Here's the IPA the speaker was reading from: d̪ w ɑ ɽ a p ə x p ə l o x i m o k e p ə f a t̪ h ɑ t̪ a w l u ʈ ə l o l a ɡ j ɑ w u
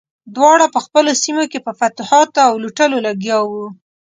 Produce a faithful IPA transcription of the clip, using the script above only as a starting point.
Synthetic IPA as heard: d̪ w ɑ ɽ a p ə x p ə l o s i m o k e p ə f a t̪ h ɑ t̪ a w l u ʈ ə l o l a ɡ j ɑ w u